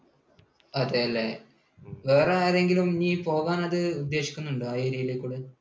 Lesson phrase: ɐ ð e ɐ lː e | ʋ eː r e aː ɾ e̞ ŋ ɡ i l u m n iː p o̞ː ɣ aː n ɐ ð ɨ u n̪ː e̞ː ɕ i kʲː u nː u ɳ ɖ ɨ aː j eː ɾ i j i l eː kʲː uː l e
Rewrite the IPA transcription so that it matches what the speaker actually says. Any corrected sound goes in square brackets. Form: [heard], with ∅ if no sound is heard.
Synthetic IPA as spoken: ɐ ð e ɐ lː e | ʋ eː r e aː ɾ e̞ ŋ ɡ i l u m n iː p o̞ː ɣ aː n ɐ ð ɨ u [d̪ː] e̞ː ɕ i kʲː u nː u ɳ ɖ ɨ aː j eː ɾ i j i l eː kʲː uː [ɽ] e